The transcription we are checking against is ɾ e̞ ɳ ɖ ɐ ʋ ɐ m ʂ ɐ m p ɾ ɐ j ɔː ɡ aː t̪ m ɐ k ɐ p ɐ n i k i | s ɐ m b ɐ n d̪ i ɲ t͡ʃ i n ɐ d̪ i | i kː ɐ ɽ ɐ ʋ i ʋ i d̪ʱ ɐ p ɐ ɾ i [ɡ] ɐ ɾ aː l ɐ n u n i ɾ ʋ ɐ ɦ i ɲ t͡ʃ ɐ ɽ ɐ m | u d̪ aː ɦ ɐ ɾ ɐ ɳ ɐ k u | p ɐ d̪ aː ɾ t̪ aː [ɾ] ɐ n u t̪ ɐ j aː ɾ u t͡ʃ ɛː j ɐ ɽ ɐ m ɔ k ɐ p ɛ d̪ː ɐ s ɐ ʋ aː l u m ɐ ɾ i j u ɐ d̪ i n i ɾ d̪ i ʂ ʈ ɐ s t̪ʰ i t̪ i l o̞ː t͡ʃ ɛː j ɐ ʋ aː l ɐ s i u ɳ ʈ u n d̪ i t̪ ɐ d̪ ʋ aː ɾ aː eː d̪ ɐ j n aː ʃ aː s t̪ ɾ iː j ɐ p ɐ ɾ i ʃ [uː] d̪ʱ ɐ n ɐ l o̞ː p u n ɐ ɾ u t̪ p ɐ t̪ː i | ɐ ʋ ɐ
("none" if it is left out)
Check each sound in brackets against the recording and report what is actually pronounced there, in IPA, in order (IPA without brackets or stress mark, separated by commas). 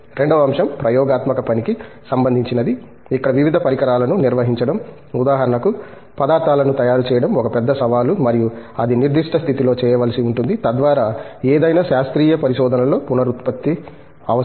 k, l, ɔː